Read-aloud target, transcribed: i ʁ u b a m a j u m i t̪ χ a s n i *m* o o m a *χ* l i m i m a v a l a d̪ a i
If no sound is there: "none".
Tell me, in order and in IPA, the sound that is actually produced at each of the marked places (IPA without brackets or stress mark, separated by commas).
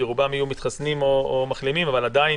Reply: m, χ